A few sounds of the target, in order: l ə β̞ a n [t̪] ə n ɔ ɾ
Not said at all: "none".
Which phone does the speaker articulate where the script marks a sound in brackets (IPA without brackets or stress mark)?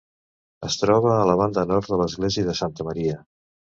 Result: d̪